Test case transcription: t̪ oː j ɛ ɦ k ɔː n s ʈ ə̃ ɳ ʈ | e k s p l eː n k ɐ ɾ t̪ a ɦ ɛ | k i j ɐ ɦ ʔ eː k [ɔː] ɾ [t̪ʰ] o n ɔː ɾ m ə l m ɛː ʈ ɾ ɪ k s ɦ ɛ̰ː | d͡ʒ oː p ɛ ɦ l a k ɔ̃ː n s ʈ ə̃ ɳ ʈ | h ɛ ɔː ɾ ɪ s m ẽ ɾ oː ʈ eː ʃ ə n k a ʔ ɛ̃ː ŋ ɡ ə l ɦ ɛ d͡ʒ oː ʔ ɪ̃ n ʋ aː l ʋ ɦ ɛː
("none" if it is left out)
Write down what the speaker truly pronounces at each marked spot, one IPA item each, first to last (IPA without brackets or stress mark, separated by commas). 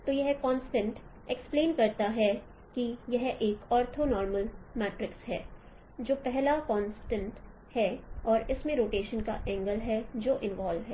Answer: ɔː, t̪ʰ